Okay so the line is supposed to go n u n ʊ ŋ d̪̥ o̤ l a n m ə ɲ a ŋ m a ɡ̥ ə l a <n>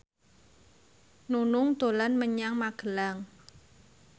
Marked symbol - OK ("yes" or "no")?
no